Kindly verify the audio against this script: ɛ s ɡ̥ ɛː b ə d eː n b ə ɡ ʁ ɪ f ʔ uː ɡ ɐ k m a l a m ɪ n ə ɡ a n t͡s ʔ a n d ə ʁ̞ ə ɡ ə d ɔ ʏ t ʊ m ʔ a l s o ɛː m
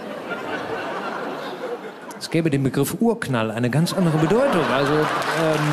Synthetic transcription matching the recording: ɛ s ɡ̥ ɛː b ə d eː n b ə ɡ ʁ ɪ f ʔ uː ɐ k n a l a ɪ n ə ɡ a n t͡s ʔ a n d ə ʁ̞ ə b ə d ɔ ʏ t ʊ ŋ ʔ a l z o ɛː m

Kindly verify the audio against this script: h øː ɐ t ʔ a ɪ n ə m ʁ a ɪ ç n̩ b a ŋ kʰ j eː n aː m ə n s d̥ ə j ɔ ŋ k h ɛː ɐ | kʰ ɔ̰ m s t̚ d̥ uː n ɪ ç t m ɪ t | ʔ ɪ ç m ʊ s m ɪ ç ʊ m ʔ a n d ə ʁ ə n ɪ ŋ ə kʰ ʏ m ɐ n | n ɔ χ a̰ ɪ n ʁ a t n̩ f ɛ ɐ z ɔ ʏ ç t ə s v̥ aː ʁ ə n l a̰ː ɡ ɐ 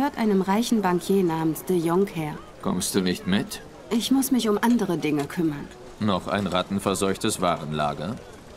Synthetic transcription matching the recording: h øː ɐ t ʔ a ɪ n ə m ʁ a ɪ ç n̩ b a ŋ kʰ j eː n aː m ə n s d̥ ə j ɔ ŋ k h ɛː ɐ | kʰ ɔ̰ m s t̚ d̥ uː n ɪ ç t m ɪ t | ʔ ɪ ç m ʊ s m ɪ ç ʊ m ʔ a n d ə ʁ ə d ɪ ŋ ə kʰ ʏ m ɐ n | n ɔ χ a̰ ɪ n ʁ a t n̩ f ɛ ɐ z ɔ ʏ ç t ə s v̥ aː ʁ ə n l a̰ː ɡ ɐ

